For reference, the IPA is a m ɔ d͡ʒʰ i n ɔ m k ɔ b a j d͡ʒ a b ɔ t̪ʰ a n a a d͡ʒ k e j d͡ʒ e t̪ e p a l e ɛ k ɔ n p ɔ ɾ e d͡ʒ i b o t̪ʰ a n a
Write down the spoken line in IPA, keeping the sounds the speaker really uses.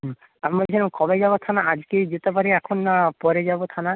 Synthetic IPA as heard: a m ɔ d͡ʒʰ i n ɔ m k ɔ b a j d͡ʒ a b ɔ t̪ʰ a n a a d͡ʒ k e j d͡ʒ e t̪ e p a ɾ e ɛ kʰ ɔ n p ɔ ɾ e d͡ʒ a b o t̪ʰ a n a